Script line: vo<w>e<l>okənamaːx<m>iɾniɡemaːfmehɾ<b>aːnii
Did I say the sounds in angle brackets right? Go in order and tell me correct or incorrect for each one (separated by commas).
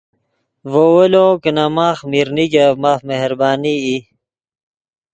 correct, correct, correct, correct